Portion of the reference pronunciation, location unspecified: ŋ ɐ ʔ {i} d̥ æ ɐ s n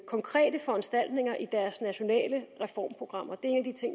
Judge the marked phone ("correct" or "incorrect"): correct